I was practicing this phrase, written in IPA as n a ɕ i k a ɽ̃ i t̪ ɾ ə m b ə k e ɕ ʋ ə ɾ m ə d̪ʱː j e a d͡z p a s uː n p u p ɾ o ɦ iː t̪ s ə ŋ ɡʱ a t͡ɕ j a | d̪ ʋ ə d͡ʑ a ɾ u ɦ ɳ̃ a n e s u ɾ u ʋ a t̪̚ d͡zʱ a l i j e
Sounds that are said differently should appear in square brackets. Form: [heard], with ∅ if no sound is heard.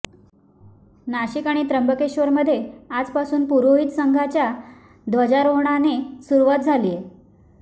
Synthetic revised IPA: n a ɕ i k a ɽ̃ i t̪ ɾ ə m b ə k e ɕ ʋ ə ɾ m ə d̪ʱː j e a d͡z p a s uː n p u [∅] ɾ o ɦ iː t̪ s ə ŋ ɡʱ a t͡ɕ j a | d̪ ʋ ə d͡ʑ a ɾ [o] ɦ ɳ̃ a n e s u ɾ u ʋ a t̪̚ d͡zʱ a l i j e

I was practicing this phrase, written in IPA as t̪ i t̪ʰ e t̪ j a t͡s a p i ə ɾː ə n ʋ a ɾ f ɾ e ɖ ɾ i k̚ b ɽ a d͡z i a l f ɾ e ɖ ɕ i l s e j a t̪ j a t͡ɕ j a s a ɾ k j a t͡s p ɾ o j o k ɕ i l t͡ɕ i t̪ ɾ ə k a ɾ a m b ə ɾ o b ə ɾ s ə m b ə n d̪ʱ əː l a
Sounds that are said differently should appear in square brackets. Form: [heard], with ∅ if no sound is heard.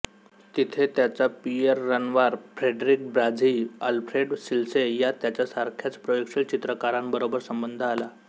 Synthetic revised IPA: t̪ i t̪ʰ e t̪ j a t͡s a p i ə ɾː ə n ʋ a ɾ f ɾ e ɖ ɾ i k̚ b [ɾ] a d͡z i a l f ɾ e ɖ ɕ i l s e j a t̪ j a t͡ɕ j a s a ɾ [kʰ] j a t͡s p ɾ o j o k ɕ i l t͡ɕ i t̪ ɾ ə k a ɾ a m b ə ɾ o b ə ɾ s ə m b ə n d̪ʱ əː l a

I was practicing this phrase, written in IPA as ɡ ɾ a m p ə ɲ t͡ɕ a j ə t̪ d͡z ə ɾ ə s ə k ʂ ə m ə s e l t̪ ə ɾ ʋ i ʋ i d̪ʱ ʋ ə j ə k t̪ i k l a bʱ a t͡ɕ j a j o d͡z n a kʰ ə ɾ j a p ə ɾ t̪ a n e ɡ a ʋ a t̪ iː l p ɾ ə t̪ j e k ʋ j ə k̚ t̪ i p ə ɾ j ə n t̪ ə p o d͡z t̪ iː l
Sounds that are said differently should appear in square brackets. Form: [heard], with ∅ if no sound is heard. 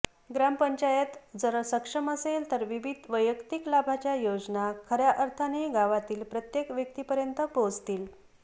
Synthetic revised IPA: ɡ ɾ a m p ə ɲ t͡ɕ a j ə t̪ d͡z ə ɾ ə s ə k ʂ ə m ə s e l t̪ ə ɾ ʋ i ʋ i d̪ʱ ʋ ə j ə k t̪ i k l a bʱ a t͡ɕ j a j o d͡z n a kʰ ə ɾ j a [ʔ] ə ɾ [t̪ʰ] a n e ɡ a ʋ a t̪ iː l p ɾ ə t̪ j e k ʋ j ə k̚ t̪ i p ə ɾ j ə n t̪ ə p o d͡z t̪ iː l

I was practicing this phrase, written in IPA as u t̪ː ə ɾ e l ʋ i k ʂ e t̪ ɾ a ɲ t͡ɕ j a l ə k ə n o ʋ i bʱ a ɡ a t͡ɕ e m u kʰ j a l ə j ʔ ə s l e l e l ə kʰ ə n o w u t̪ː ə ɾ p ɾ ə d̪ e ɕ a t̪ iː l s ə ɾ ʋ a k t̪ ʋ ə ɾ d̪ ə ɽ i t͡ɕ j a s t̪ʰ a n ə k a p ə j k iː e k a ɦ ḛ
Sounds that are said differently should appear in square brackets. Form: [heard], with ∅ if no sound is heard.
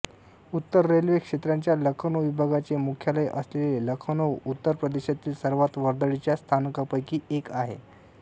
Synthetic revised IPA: u t̪ː ə [ɾː] e l ʋ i k ʂ e t̪ ɾ a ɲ t͡ɕ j a l ə [kʰ] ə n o ʋ i bʱ a ɡ a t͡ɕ e m u kʰ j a l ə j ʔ ə s l e l e l ə kʰ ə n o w u t̪ː ə ɾ p ɾ ə d̪ e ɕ a t̪ iː l s ə ɾ ʋ a [∅] t̪ ʋ ə ɾ d̪ ə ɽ i t͡ɕ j a s t̪ʰ a n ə k a p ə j k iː e k a ɦ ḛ

